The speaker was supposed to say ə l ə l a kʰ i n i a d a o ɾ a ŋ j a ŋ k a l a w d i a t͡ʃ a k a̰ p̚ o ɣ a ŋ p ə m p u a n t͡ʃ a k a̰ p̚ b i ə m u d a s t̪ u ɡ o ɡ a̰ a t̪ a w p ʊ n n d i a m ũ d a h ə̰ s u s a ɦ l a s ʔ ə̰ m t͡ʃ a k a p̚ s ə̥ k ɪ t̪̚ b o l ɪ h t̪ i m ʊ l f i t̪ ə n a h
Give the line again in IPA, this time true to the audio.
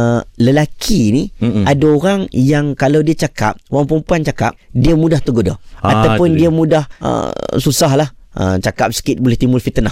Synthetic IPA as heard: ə l ə l a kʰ i n i a d a o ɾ a ŋ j a ŋ k a l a w d i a t͡ʃ a k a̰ p̚ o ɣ a ŋ p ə m p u a n t͡ʃ a k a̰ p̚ d i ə m u d a h t̪ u ɡ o d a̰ a t̪ a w p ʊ n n d i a m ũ d a h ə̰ s u s a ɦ l a h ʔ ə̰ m t͡ʃ a k a p̚ s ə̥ k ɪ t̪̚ b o l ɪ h t̪ i m ʊ l f i t̪ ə n a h